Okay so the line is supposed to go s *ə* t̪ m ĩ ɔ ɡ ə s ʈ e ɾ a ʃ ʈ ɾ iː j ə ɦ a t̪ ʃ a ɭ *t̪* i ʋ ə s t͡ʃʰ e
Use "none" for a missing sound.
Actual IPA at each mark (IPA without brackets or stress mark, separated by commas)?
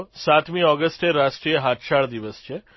a, d̪